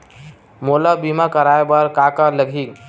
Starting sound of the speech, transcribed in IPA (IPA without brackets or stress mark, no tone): m